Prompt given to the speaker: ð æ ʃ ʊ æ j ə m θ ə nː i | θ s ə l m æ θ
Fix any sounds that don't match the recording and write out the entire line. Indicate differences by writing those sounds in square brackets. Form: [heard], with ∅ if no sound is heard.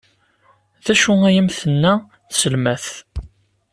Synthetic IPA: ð æ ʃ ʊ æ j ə m θ ə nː [æ] | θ s ə l m æ θ

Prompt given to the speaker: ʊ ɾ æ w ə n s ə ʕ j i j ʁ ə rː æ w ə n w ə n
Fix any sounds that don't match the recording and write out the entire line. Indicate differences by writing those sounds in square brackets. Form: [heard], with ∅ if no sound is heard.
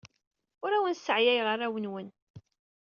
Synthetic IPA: ʊ ɾ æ w ə n s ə ʕ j [æ] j ʁ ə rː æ w ə n w ə n

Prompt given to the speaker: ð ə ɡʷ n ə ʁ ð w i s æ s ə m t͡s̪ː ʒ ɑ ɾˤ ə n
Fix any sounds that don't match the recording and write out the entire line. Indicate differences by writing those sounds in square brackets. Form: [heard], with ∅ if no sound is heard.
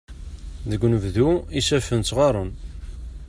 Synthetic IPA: ð ə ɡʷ n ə [v] ð [u] i s æ [f] ə [n] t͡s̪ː [ʁ] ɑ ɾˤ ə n

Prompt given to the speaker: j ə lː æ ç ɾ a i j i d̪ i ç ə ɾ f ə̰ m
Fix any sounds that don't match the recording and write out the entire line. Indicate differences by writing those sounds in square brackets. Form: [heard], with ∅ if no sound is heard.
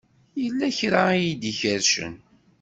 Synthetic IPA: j ə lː æ ç ɾ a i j i d̪ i ç ə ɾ [ʃ] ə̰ [n]

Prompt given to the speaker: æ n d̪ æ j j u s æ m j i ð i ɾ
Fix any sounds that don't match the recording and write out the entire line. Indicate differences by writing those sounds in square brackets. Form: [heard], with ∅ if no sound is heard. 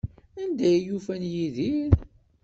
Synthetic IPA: æ n d̪ æ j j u [f] æ [n] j i ð i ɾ

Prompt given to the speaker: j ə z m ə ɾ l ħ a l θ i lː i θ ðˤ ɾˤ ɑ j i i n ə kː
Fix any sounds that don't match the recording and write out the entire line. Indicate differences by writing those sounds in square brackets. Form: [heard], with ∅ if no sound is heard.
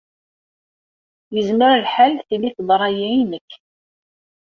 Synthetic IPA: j ə z m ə ɾ l ħ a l θ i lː i θ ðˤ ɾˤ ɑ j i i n ə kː

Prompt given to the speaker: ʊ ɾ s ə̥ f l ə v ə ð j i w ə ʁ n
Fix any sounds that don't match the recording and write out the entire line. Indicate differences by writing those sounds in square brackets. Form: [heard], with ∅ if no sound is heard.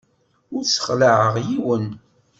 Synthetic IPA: ʊ ɾ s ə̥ [χ] l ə [ʕ] ə [ʁ] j i w ə [∅] n

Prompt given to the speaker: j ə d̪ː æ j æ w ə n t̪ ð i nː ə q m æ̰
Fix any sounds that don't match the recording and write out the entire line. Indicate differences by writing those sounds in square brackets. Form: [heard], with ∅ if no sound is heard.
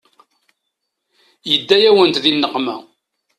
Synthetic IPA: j ə d̪ː æ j æ w ə n t̪ ð i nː ə q m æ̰

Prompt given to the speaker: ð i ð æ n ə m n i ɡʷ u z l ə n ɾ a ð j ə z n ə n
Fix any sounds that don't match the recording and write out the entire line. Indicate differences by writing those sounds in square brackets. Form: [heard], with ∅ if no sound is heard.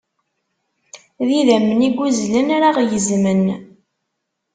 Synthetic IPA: ð i ð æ [m] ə [∅] n i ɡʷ u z l ə n ɾ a [ʁ] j ə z [m] ə n

